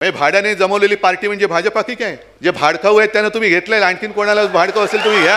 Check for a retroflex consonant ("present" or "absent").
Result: present